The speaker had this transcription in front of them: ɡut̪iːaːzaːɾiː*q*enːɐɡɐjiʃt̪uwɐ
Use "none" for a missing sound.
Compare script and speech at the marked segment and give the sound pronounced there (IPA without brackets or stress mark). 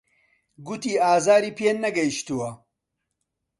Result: p